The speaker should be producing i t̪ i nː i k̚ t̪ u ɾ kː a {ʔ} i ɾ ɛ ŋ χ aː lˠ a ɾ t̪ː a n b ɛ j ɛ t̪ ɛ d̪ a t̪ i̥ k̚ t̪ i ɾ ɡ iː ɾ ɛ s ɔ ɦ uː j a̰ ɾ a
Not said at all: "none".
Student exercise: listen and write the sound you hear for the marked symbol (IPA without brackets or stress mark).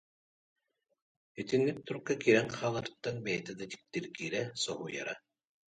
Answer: k